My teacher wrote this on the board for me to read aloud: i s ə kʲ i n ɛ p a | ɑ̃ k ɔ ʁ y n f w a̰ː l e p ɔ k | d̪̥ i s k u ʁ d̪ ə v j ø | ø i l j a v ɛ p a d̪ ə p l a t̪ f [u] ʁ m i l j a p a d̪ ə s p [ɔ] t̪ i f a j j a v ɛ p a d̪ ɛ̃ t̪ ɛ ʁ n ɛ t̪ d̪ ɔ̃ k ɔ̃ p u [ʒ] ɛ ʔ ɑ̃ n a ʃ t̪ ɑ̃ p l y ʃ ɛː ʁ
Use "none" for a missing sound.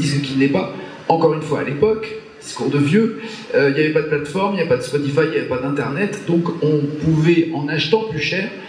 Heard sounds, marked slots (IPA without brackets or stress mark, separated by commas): ɔ, ɔ, v